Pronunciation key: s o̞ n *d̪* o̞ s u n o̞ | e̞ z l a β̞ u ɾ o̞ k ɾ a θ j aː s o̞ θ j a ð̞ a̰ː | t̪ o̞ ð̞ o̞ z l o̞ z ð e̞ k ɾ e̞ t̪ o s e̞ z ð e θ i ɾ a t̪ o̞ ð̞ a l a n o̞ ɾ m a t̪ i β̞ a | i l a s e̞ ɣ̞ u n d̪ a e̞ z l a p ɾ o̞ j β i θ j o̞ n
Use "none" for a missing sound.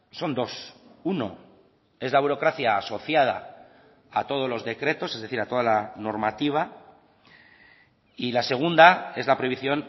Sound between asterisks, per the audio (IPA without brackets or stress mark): d̪